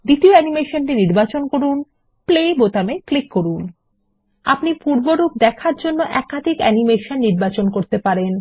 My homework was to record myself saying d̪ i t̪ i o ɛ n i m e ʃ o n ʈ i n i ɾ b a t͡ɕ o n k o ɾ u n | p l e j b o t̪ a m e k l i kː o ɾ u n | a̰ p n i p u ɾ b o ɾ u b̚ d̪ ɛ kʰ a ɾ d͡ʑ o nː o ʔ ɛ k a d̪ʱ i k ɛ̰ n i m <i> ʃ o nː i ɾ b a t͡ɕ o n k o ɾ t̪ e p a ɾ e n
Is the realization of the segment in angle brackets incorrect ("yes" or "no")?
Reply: yes